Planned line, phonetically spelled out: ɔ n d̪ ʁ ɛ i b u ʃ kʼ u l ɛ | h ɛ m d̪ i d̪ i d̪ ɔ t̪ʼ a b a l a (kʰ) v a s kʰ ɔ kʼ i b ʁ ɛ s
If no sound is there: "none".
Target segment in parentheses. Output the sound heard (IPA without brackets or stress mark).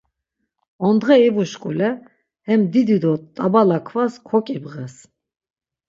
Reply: kʰ